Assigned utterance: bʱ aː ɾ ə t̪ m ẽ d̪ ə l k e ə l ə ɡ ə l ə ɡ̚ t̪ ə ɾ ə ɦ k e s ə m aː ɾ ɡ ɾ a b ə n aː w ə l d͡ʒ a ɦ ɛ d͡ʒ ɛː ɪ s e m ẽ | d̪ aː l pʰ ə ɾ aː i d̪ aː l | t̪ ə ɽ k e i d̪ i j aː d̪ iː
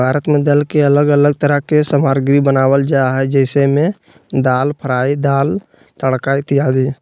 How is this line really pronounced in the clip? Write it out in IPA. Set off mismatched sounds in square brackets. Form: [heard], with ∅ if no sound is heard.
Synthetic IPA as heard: bʱ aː ɾ ə t̪ m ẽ d̪ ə l k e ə l ə ɡ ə l ə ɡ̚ t̪ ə ɾ ə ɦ k e s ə m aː ɾ ɡ ɾ [i] b ə n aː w ə l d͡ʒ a ɦ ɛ d͡ʒ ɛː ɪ s e m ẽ | d̪ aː l pʰ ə ɾ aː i d̪ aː l | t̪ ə ɽ k [a] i [t̪] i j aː d̪ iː